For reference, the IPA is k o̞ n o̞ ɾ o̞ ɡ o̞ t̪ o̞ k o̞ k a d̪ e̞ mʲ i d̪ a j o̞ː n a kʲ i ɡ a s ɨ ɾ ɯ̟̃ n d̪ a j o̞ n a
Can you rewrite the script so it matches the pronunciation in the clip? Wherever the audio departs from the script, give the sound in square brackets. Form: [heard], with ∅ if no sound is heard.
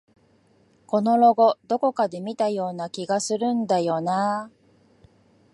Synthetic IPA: k o̞ n o̞ ɾ o̞ ɡ o̞ [d̪] o̞ k o̞ k a d̪ e̞ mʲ i [t̪] a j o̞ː n a kʲ i ɡ a s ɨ ɾ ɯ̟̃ n d̪ a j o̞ n a